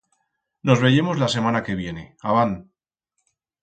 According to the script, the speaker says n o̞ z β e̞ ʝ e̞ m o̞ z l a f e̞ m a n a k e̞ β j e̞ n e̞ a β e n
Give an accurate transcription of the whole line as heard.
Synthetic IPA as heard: n o̞ z β e̞ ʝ e̞ m o̞ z l a s e̞ m a n a k e̞ β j e̞ n e̞ a β a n